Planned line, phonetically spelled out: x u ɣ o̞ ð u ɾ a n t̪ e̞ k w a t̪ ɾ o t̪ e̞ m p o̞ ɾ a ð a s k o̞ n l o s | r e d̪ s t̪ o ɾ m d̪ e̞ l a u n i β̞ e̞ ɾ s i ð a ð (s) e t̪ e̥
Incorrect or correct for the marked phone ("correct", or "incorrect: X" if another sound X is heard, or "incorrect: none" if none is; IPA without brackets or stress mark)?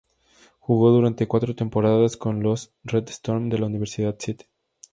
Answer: correct